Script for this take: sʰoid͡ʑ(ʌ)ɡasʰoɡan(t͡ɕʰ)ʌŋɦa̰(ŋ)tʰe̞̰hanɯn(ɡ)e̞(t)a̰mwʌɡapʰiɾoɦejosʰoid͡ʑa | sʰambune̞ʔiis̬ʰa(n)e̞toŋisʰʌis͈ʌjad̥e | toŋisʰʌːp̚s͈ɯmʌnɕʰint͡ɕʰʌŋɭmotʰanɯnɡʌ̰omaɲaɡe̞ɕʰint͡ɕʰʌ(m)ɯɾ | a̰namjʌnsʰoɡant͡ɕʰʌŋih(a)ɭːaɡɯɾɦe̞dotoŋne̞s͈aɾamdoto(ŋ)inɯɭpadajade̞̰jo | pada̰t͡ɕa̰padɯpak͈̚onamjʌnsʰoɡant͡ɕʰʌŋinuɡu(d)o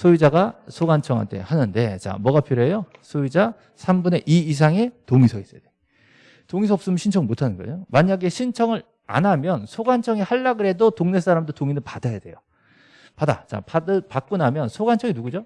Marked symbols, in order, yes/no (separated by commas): no, yes, no, no, no, no, no, yes, yes, no